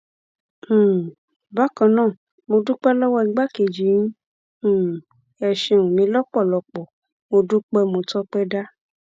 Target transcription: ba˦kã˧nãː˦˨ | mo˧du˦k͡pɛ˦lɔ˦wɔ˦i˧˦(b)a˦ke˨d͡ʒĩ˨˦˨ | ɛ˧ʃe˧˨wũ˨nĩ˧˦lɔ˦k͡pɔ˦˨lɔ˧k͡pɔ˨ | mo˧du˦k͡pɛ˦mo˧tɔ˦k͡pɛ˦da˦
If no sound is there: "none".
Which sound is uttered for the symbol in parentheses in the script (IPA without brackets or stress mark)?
ɡ͡b